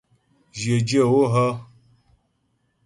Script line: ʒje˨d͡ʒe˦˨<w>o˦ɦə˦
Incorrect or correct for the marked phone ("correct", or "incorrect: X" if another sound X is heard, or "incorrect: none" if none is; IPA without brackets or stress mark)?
correct